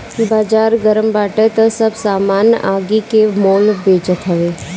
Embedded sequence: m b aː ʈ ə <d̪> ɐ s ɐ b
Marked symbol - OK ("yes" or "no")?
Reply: no